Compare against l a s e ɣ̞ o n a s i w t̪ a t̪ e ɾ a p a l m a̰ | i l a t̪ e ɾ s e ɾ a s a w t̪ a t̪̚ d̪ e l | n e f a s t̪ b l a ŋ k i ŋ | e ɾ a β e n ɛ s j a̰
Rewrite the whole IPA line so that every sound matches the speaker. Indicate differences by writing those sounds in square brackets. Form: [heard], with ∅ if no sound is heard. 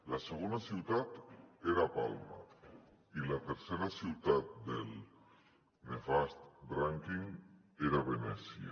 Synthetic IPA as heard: l a s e ɣ̞ o n a s i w t̪ a t̪ e ɾ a p a l m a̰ | i l a t̪ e ɾ s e ɾ a s [i] w t̪ a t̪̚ d̪ e l | n e f a s t̪ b [ɾ] a ŋ k i ŋ | e ɾ a β e n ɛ s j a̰

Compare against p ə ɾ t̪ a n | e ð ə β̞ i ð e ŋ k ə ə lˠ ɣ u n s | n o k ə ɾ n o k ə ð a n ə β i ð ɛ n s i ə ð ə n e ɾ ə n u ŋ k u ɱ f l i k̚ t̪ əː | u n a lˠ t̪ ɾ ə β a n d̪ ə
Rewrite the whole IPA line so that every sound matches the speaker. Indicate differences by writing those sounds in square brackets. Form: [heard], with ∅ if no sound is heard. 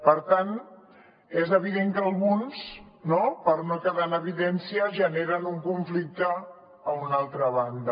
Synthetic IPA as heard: p ə ɾ t̪ a n | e [z] ə β̞ i ð e ŋ k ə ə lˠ ɣ u n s | n o [p] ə ɾ n o k ə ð a n ə β i ð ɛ n s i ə [ʒ] ə n e ɾ ə n u ŋ k u ɱ f l i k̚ t̪ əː | u n a lˠ t̪ ɾ ə β a n d̪ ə

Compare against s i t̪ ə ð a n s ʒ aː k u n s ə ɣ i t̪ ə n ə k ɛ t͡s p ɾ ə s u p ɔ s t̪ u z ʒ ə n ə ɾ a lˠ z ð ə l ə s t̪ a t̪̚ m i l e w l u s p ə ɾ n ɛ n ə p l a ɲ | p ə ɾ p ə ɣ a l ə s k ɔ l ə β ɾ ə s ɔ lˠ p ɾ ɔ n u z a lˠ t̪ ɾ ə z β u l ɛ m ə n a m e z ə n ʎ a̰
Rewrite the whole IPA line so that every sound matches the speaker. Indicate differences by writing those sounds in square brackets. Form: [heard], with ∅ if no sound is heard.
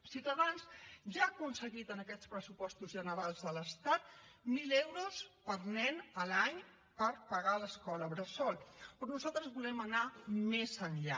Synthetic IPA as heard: s i t̪ ə ð a n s ʒ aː k u n s ə ɣ i t̪ ə n ə k ɛ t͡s p ɾ ə s u p ɔ s t̪ u z ʒ ə n ə ɾ a lˠ z ð ə l ə s t̪ a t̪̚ m i l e w [ɾ] u s p ə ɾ n ɛ n ə [∅] l a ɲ | p ə ɾ p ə ɣ a l ə s k ɔ l ə β ɾ ə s ɔ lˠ p ɾ ɔ n u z a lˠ t̪ ɾ ə z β u l ɛ m ə n a m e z ə n ʎ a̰

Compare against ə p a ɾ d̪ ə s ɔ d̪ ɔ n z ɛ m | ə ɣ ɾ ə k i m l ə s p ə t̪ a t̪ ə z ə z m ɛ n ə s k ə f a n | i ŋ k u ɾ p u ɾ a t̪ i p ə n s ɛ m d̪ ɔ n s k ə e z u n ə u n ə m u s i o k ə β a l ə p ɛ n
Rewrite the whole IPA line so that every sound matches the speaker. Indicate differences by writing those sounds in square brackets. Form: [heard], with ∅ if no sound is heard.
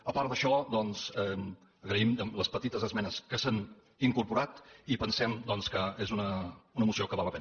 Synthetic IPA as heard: ə p a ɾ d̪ ə [ʃ] ɔ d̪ ɔ n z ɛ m | ə ɣ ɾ ə [∅] i m l ə s p ə t̪ [i] t̪ ə z ə z m ɛ n ə s k ə [s] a n | i ŋ k u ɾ p u ɾ a t̪ i p ə n s ɛ m d̪ ɔ n s k ə e z u n ə u n ə m u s i o k ə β a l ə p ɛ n

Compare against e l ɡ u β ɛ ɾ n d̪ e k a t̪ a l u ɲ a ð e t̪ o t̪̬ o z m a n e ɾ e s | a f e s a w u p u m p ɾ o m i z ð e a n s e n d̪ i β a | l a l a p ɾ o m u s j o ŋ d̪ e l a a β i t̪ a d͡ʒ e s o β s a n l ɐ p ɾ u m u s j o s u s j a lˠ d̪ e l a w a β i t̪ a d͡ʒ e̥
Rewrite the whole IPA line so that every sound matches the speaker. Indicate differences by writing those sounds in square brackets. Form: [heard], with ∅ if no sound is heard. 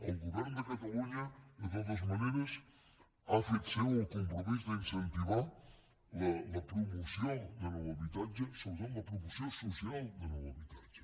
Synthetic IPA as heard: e l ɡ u β ɛ ɾ n d̪ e k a t̪ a l u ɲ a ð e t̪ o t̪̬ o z m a n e ɾ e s | a f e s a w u [k] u m p ɾ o m i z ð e [i] n s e n [t̪] i β a | l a l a p ɾ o m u s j o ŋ d̪ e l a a β i t̪ a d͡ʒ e s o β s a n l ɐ p ɾ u m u s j o s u s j a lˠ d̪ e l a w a β i t̪ a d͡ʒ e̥

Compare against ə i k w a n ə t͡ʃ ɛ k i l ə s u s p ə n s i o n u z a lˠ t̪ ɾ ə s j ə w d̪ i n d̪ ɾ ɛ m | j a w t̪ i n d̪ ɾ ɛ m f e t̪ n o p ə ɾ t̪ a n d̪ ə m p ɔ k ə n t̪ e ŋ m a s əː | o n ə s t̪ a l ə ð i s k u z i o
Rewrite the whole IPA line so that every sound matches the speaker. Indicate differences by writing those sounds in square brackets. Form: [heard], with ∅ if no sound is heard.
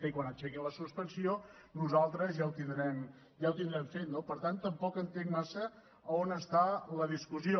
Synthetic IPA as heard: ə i k w a n ə t͡ʃ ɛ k i l ə s u s p ə n s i o n u z a lˠ t̪ ɾ ə [z] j [a] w [t̪] i n d̪ ɾ ɛ m | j a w t̪ i n d̪ ɾ ɛ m f e t̪ n o p ə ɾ t̪ a n [t̪] ə m p ɔ k ə n t̪ e ŋ m a s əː | o n ə s t̪ a l ə ð i s k u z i o

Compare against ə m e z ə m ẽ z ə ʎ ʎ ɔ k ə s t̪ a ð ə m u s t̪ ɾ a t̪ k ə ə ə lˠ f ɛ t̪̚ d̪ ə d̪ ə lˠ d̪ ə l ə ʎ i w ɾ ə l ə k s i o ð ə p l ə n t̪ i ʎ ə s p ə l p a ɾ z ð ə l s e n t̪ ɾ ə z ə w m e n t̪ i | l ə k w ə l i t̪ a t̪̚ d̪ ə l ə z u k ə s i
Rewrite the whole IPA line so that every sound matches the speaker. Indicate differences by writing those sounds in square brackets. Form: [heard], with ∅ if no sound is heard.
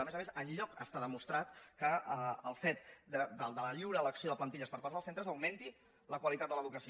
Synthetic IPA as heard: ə m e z ə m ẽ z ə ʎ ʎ ɔ k ə s t̪ a ð ə m u s t̪ ɾ a t̪ k ə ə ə lˠ f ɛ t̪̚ d̪ ə d̪ ə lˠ d̪ ə l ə ʎ i w ɾ ə l ə k s i o ð ə p l ə n t̪ i ʎ ə s p ə [ɾ] p a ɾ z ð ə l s e n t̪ ɾ ə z ə w m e n t̪ i | l ə k w ə l i t̪ a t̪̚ d̪ ə l ə [ð] u k ə s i

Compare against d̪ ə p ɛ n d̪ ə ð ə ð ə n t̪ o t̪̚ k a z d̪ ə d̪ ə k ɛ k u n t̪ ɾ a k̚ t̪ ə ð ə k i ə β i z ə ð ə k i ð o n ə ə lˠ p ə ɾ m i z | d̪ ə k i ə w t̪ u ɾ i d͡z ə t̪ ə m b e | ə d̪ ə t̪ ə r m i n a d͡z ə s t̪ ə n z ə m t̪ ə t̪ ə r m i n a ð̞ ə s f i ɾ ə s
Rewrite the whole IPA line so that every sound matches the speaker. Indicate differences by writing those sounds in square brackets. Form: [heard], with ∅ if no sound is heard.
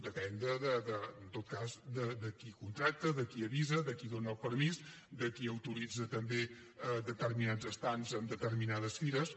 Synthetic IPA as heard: d̪ ə p ɛ n d̪ ə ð ə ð ə n t̪ o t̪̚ k a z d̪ ə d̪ ə k [i] k u n t̪ ɾ a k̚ t̪ ə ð ə k i ə β i z ə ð ə k i ð o n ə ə lˠ p ə ɾ m i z | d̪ ə k i ə w t̪ u ɾ i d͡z ə t̪ ə m b e | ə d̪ ə t̪ ə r m i n a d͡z ə s t̪ [a] n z ə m [d̪] ə t̪ ə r m i n a ð̞ ə s f i ɾ ə s

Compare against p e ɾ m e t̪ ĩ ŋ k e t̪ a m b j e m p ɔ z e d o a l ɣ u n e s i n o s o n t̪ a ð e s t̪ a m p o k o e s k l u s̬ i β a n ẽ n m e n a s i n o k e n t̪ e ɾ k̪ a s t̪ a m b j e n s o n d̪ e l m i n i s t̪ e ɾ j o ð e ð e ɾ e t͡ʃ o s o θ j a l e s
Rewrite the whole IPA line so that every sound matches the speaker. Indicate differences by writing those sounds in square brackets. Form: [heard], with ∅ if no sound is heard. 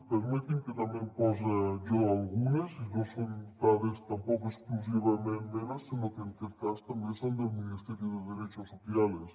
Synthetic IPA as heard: p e ɾ m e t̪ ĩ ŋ k e t̪ a m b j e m p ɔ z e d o a l ɣ u n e s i n o s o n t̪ a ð e s t̪ a m p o k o e s k l u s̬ i β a [m] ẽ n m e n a s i n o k e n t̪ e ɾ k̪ a s t̪ a m b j e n s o n d̪ e l m i n i s t̪ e ɾ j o ð e ð e ɾ e t͡ʃ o s o θ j a l e s

